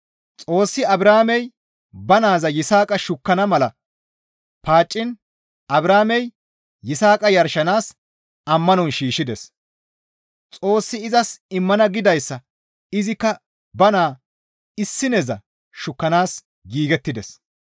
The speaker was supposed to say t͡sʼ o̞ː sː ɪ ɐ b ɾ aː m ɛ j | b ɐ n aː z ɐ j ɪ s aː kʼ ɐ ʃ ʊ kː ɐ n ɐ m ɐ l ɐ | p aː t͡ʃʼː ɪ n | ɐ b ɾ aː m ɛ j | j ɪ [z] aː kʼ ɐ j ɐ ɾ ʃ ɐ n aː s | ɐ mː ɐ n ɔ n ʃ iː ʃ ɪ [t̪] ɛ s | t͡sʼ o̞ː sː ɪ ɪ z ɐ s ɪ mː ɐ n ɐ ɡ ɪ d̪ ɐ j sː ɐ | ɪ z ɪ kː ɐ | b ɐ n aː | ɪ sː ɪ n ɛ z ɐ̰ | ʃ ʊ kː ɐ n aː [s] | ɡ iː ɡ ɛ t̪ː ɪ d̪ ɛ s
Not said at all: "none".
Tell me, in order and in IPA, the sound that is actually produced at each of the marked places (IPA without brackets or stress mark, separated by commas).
s, d̪, s